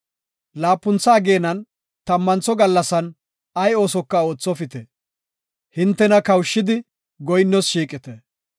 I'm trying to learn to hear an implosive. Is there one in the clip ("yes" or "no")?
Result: no